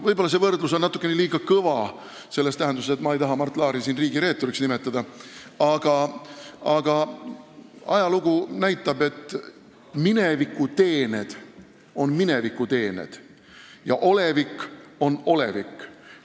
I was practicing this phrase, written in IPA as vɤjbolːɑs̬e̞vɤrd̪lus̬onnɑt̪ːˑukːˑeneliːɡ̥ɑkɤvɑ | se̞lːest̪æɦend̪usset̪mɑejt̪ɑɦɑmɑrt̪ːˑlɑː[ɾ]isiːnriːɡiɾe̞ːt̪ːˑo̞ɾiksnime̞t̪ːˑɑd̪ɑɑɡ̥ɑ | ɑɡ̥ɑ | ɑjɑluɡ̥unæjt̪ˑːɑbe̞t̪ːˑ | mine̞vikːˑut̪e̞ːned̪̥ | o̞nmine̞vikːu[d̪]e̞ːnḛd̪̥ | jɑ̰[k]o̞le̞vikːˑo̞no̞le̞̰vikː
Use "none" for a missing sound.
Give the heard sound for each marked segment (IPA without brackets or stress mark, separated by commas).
ɾ, t̪, ʔ